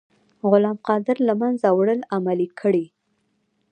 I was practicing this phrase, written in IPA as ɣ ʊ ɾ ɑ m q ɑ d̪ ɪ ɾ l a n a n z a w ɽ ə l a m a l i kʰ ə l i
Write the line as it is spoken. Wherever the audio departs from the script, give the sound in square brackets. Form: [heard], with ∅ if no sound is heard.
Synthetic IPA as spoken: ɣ ʊ [l] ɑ m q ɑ d̪ ɪ ɾ l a [m] a n z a w ɽ ə l a m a l i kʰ ə [ɽ] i